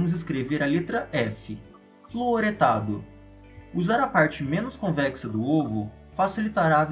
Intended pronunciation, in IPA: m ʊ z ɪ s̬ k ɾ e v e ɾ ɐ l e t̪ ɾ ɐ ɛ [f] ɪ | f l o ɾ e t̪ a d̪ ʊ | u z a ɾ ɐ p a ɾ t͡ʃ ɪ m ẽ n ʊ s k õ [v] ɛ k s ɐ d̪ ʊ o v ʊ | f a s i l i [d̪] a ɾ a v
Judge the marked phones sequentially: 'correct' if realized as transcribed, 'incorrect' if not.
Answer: correct, correct, incorrect

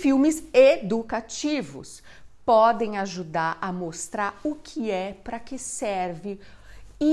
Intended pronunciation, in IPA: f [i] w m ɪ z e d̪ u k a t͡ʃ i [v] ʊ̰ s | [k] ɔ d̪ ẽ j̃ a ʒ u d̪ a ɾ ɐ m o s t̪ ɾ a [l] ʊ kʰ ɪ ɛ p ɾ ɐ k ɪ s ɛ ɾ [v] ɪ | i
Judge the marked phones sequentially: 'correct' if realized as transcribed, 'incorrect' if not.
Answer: correct, correct, incorrect, incorrect, correct

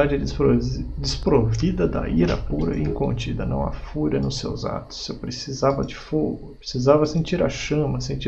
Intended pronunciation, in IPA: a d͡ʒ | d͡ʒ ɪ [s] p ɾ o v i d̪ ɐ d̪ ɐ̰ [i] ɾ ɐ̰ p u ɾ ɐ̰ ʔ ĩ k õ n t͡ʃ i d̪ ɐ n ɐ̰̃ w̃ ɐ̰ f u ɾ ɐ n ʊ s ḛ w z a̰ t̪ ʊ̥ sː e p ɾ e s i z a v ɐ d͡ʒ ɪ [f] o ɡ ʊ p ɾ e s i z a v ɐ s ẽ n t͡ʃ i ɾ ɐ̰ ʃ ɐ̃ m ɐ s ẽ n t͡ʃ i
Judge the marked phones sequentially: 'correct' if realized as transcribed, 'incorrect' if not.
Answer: correct, correct, correct

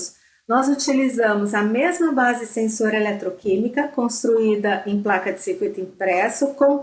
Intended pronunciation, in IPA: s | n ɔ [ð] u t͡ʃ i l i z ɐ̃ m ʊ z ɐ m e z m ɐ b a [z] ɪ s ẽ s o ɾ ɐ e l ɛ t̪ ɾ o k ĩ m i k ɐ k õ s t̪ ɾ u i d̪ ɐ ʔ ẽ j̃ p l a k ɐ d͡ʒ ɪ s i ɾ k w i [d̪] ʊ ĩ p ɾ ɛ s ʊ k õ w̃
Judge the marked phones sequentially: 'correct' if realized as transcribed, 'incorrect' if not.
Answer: incorrect, correct, incorrect

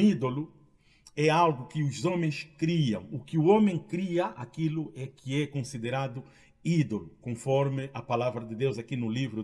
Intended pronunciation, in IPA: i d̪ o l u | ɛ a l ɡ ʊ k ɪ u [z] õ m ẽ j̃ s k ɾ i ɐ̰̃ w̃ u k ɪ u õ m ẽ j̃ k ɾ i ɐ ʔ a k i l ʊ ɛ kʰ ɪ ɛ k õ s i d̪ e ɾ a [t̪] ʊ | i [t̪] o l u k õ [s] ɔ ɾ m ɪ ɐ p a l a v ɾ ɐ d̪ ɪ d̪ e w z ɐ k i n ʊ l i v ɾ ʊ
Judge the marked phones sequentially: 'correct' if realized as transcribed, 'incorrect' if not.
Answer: correct, incorrect, incorrect, incorrect

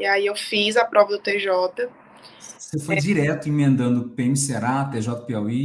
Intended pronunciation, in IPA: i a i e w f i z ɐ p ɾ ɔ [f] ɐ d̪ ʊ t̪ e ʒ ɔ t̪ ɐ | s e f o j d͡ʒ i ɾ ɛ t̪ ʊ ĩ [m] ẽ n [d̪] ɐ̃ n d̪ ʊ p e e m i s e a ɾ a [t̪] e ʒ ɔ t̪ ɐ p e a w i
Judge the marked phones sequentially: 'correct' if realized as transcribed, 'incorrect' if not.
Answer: incorrect, correct, correct, correct

